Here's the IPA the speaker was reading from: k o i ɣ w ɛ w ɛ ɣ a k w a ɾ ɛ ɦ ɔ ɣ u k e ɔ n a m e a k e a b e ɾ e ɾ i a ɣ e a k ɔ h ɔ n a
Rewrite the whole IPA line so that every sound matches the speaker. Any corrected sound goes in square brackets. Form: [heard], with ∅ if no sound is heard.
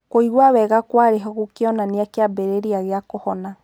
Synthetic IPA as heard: k o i ɣ w [a] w ɛ ɣ a k w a ɾ [e] ɦ ɔ ɣ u k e ɔ n a [n] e a k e a b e ɾ e ɾ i a ɣ e a k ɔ h ɔ n a